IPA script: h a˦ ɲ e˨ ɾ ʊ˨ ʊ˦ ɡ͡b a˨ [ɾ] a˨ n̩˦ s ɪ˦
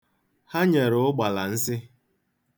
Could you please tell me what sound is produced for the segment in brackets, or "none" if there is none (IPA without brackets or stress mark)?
l